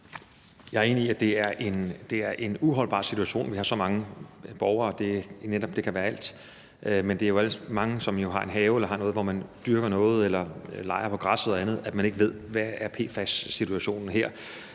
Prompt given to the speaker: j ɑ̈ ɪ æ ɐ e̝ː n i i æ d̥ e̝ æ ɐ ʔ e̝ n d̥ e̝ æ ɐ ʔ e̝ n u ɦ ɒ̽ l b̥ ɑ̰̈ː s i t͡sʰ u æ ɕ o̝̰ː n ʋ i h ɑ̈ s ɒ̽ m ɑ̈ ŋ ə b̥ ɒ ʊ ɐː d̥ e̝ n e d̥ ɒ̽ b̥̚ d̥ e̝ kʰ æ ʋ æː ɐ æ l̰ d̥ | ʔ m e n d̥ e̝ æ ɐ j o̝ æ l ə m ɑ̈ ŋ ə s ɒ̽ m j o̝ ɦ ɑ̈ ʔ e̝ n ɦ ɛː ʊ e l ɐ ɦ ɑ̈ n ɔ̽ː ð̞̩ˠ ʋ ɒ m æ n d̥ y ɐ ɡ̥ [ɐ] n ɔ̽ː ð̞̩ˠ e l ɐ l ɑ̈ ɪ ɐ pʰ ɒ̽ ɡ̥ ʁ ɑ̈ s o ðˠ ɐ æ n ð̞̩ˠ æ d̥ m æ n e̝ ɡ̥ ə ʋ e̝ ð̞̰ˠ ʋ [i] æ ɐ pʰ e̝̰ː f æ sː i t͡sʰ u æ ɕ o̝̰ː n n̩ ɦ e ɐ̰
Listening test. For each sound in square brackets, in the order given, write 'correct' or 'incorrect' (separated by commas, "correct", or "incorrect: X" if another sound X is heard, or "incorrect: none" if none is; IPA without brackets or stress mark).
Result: correct, incorrect: æ